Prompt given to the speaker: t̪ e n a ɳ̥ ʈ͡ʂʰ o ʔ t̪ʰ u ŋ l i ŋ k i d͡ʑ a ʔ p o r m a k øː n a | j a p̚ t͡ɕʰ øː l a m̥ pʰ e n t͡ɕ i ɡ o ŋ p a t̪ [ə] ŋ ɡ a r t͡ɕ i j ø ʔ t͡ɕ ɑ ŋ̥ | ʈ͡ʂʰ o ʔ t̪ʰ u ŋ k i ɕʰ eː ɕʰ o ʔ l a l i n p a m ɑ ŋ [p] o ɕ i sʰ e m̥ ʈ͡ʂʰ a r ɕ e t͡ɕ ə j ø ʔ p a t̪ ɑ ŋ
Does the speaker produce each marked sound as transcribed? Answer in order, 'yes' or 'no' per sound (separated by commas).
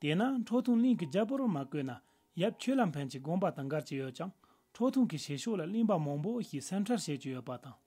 no, yes